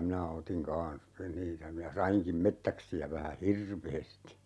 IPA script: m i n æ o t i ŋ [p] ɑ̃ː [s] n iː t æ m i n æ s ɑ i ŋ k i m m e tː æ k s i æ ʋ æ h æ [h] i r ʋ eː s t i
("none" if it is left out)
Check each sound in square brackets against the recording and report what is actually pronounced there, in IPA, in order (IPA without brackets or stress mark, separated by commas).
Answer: k, s, h